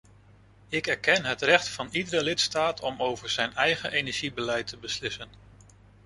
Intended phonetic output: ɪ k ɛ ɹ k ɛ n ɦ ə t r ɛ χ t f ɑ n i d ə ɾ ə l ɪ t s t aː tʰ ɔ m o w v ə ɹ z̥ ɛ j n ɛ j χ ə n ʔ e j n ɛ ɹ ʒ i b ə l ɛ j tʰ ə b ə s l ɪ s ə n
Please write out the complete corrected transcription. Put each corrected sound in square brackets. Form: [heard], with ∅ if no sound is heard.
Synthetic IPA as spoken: ɪ k ɛ ɹ k ɛ n ɦ ə t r ɛ χ t f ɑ n i d ə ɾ ə l ɪ t s t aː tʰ ɔ m o w v ə ɹ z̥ ɛ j n ɛ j χ ə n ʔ e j n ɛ ɹ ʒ i b ə l ɛ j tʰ ə b ə s l ɪ s ə n